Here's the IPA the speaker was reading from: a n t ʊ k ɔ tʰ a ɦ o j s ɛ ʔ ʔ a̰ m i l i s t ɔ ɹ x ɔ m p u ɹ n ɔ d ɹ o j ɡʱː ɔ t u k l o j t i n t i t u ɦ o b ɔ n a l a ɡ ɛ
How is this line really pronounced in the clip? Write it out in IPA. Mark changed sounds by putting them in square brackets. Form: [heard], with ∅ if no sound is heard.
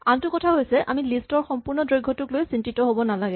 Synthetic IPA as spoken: a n t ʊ k ɔ tʰ a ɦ o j s ɛ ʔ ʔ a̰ m i l i s t ɔ ɹ x ɔ m p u ɹ n ɔ d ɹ o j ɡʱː ɔ t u k l o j [s] i n t i t [ɔ] ɦ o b ɔ n a l a ɡ ɛ